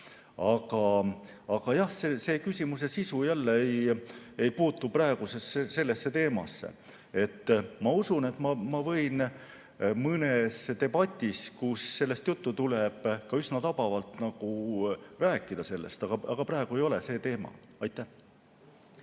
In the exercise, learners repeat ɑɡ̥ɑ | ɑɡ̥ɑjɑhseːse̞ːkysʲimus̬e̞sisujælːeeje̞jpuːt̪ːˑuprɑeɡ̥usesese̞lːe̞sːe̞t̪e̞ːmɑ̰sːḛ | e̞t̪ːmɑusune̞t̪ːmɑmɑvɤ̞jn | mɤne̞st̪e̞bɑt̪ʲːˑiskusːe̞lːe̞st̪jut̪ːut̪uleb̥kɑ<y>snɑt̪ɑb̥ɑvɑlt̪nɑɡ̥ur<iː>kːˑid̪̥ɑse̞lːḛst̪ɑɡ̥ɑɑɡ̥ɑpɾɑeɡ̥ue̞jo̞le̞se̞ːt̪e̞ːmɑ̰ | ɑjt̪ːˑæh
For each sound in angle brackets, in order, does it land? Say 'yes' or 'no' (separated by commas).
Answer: yes, no